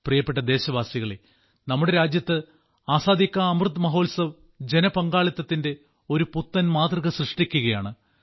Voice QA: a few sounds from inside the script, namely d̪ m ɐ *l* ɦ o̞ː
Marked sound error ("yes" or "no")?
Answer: yes